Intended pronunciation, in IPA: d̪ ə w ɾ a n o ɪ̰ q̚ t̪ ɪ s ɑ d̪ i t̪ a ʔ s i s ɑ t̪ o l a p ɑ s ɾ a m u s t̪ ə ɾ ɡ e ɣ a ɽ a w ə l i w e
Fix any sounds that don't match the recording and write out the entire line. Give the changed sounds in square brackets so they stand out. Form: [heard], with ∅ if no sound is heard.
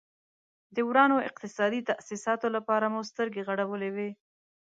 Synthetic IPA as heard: d̪ ə w ɾ [ɑ] n o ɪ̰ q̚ t̪ ɪ s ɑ d̪ i t̪ a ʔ s i s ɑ t̪ o l a p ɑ [∅] ɾ a m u s t̪ ə ɾ ɡ e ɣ a ɽ a w ə l [e] w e

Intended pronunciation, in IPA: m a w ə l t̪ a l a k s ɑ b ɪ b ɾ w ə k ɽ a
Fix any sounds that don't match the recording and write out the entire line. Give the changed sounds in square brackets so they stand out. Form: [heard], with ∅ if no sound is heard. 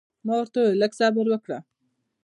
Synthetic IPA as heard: m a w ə [ɾ] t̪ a l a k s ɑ b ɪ [∅] ɾ w ə k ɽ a

